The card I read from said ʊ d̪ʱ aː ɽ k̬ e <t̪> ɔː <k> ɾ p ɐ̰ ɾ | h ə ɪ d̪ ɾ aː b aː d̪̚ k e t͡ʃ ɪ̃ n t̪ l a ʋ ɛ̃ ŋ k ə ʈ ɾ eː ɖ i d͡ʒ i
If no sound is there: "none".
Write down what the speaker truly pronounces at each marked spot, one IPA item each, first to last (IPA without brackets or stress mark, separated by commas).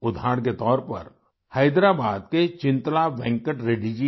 t̪, none